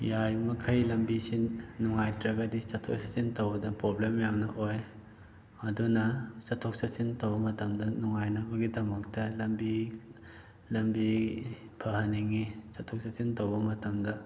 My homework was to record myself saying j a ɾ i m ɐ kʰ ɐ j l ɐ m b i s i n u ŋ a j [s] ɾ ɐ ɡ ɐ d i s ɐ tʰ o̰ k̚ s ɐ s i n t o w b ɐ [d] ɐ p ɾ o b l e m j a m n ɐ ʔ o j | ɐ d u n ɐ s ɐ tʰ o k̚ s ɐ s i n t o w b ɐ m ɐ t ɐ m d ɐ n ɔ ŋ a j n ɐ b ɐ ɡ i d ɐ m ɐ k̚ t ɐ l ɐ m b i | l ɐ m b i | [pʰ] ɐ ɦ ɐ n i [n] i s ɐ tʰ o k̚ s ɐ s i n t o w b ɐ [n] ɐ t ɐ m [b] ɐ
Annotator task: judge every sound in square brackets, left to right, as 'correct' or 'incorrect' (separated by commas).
incorrect, correct, correct, incorrect, incorrect, incorrect